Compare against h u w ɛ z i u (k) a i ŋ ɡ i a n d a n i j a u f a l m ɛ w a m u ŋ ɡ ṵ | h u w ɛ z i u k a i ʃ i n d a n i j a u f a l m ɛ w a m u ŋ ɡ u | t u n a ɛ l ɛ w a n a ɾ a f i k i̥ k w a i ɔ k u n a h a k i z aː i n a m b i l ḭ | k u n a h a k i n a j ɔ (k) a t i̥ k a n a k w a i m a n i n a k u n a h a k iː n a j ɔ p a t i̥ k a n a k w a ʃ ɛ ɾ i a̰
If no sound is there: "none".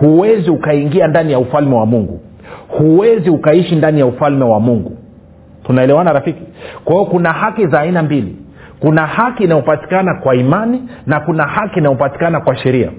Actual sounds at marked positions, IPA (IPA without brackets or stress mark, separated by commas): k, p